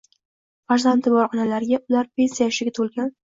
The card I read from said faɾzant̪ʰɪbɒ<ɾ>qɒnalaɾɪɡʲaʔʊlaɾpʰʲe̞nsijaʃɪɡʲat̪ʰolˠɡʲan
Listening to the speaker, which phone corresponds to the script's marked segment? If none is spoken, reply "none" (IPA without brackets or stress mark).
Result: ɾ